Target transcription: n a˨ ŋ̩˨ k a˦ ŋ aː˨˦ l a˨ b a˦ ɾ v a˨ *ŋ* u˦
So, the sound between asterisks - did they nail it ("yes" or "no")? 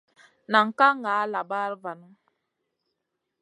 no